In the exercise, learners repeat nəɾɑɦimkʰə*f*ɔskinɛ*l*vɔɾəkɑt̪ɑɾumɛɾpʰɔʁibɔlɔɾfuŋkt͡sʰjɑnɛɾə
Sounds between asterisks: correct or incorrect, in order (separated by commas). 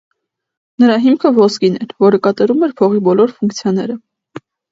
incorrect, incorrect